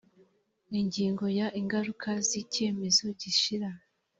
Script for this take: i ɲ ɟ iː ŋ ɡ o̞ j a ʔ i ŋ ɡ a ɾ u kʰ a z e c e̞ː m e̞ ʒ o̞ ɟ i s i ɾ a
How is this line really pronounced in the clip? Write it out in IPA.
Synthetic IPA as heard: i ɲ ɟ iː ŋ ɡ o̞ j a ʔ i ŋ ɡ a ɾ u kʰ a z i c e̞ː m e̞ z o̞ ɟ i ʃ i ɾ a